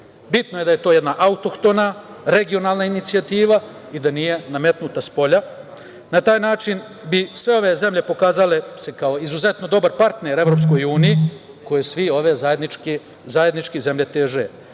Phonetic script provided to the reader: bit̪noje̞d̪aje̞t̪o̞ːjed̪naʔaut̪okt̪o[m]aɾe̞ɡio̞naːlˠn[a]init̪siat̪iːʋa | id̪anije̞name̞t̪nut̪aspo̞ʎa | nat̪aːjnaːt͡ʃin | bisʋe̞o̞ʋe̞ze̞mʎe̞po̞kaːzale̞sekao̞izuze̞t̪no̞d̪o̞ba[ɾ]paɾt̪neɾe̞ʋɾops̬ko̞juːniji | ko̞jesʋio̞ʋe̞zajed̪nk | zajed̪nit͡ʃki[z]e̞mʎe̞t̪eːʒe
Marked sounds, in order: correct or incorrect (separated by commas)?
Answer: incorrect, correct, correct, correct